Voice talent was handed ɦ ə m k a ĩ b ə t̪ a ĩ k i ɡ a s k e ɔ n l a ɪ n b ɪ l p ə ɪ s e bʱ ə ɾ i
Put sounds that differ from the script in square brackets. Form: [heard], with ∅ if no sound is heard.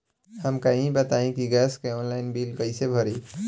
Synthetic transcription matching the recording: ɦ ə m k a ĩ b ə t̪ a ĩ k i ɡ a s k e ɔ n l a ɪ n b [i] l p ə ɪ s e bʱ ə ɾ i